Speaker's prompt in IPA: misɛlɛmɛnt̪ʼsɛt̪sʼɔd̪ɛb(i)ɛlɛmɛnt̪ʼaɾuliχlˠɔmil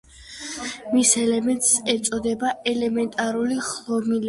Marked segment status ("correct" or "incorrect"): incorrect